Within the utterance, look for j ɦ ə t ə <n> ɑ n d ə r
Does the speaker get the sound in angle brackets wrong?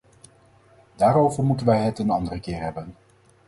no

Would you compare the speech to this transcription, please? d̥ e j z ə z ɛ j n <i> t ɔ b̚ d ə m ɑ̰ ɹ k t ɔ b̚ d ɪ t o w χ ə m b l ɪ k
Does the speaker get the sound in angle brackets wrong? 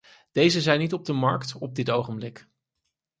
no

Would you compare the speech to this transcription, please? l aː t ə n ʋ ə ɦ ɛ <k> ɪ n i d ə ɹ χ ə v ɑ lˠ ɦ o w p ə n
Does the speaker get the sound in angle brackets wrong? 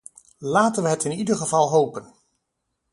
yes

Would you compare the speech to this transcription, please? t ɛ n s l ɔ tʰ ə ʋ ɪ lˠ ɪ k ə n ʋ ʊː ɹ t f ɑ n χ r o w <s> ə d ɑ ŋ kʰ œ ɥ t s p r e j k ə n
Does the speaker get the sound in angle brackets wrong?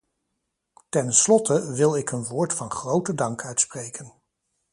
yes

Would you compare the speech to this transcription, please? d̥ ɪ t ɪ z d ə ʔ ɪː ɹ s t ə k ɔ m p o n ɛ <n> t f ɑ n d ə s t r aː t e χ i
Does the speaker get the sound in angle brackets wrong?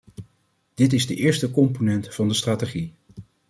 no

